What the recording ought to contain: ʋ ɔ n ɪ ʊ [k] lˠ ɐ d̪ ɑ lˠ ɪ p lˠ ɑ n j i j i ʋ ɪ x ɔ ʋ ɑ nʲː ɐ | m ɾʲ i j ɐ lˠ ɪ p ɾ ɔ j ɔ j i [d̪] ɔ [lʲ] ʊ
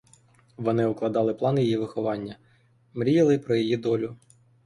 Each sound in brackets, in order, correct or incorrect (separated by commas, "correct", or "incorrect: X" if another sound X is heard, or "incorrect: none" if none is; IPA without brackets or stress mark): correct, correct, correct